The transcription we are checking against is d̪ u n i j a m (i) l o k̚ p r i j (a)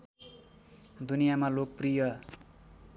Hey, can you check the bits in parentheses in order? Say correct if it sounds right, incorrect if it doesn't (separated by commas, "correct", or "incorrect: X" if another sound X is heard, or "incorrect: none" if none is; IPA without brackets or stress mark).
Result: incorrect: a, incorrect: ʌ